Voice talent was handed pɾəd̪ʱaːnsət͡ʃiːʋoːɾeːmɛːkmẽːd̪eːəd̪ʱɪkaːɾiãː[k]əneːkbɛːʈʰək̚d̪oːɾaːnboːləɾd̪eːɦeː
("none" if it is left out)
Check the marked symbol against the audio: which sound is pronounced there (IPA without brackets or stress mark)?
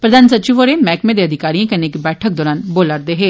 k